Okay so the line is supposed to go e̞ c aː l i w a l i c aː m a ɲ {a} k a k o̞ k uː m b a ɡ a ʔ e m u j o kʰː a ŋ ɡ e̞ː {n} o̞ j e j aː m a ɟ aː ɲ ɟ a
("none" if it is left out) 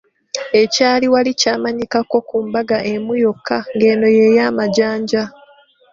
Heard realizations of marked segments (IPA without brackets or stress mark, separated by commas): i, n